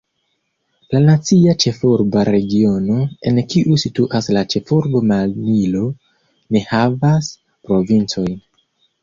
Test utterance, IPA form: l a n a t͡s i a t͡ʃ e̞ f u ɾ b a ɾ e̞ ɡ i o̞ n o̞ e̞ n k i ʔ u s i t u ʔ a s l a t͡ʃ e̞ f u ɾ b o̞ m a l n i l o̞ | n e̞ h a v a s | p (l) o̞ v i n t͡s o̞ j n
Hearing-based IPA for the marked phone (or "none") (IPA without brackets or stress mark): ɾ